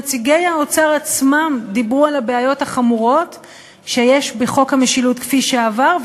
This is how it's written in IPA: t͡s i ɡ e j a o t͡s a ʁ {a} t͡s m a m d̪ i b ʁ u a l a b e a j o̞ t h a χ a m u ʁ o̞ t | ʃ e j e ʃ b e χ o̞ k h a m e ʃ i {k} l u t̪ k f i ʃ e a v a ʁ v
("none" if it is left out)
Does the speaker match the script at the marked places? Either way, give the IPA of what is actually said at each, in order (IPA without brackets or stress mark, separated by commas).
a, none